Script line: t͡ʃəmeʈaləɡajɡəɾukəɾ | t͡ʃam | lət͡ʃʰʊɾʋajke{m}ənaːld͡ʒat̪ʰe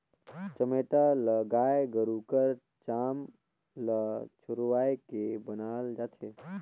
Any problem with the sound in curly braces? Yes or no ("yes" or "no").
yes